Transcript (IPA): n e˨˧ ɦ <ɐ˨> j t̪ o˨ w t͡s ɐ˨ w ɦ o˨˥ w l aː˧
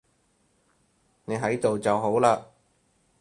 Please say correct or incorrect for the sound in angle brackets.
incorrect